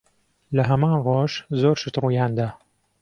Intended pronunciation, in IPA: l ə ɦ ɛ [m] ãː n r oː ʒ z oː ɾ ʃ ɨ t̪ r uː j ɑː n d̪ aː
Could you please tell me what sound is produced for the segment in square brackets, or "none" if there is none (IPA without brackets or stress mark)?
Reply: m